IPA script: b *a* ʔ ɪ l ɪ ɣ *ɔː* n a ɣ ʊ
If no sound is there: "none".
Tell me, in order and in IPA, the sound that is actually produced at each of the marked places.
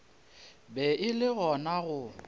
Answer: ɛ, ɔ

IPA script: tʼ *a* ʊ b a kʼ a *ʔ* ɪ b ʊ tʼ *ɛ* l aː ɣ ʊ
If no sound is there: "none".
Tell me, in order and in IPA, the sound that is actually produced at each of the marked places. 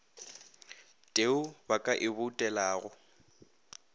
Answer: e, ʔ, ɛ

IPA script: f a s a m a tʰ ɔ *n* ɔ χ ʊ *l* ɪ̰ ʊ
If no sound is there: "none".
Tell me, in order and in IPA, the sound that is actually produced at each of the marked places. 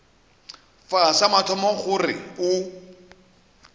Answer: m, r

